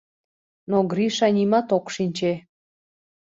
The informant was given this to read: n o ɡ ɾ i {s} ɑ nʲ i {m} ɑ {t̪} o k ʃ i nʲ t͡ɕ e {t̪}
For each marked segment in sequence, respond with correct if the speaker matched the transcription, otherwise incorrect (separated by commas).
incorrect, correct, correct, incorrect